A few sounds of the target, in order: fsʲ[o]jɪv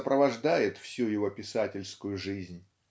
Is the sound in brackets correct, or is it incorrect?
incorrect